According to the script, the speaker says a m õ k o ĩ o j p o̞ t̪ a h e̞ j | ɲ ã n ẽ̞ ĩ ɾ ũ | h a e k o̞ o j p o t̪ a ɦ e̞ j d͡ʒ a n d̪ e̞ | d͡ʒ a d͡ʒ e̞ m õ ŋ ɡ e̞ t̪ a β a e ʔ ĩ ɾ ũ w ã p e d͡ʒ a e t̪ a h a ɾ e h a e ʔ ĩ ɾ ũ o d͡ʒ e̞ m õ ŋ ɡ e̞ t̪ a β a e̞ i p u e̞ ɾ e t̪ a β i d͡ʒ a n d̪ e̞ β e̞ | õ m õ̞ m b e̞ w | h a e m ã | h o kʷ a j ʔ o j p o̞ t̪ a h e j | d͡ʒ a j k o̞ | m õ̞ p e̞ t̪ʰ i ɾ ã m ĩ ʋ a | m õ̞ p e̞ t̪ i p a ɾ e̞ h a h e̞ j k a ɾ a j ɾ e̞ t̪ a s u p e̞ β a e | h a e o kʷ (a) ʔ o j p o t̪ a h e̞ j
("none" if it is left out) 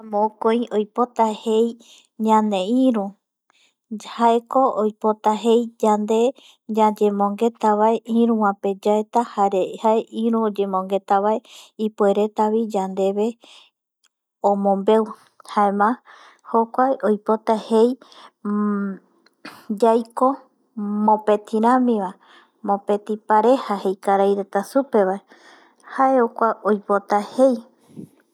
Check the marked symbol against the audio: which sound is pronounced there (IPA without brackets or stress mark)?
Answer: a